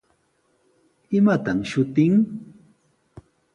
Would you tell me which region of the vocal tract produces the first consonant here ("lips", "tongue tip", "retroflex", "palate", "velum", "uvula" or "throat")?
lips